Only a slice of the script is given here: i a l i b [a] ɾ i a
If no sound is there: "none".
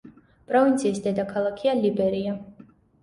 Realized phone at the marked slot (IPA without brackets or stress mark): ɛ